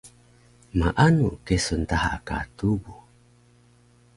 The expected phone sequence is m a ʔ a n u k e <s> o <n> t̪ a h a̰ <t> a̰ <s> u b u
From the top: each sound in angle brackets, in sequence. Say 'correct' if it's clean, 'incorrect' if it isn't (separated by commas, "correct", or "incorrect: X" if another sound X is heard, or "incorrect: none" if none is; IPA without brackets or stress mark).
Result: correct, correct, incorrect: k, incorrect: t